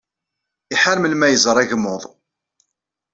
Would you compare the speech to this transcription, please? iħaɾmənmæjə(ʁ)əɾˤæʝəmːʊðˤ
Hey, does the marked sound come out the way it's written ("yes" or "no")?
no